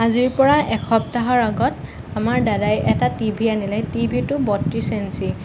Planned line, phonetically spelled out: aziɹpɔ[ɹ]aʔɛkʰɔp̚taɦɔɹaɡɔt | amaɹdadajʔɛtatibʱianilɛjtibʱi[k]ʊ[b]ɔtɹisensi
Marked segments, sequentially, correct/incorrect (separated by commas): correct, incorrect, correct